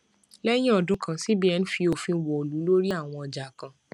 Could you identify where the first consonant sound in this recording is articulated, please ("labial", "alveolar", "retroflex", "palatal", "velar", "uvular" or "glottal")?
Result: alveolar